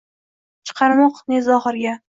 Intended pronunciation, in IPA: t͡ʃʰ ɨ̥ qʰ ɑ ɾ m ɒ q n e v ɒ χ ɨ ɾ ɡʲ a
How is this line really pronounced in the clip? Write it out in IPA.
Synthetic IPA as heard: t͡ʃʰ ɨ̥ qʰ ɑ ɾ m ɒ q n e z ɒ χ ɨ ɾ ɡʲ a